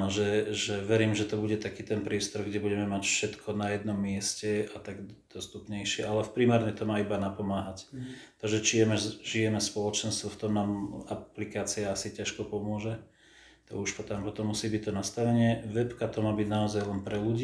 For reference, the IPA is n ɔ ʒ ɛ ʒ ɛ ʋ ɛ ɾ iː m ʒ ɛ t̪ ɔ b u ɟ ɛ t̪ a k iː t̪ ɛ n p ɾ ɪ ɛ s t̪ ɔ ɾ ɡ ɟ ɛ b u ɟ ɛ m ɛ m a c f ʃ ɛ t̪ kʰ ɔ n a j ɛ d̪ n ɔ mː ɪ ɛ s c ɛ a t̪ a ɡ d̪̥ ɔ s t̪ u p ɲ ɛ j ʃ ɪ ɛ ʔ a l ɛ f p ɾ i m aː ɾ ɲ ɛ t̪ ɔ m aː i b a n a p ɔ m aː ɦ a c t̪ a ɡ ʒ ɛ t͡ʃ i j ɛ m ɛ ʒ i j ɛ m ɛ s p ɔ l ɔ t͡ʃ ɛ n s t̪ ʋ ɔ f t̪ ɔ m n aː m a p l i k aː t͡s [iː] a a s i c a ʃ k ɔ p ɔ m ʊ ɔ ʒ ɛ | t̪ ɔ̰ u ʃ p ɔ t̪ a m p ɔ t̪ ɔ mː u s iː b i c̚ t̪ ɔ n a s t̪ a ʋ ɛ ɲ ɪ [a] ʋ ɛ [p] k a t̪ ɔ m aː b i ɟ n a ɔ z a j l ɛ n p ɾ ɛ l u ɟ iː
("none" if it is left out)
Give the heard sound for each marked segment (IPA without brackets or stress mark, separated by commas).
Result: i, ɛ, p